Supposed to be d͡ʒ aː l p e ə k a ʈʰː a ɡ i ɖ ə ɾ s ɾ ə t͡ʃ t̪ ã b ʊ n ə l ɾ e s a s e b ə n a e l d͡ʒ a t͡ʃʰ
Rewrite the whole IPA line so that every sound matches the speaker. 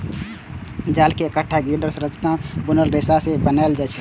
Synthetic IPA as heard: d͡ʒ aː l k e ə k ə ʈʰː a ɡ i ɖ ə ɾ s ɾ ə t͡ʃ t̪ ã b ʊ n ə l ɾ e s a s e b ə n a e l d͡ʒ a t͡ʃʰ